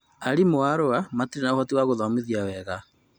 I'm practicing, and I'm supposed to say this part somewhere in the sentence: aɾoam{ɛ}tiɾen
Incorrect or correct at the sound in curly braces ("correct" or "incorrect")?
incorrect